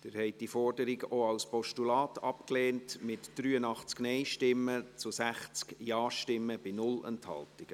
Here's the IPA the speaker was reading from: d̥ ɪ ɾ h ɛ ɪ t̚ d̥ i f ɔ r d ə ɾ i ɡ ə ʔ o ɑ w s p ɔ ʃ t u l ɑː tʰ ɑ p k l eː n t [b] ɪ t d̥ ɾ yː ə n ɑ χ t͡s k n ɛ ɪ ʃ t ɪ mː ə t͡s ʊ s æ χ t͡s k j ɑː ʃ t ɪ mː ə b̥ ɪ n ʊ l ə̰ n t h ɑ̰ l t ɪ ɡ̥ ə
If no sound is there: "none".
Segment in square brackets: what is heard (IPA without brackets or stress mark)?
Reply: m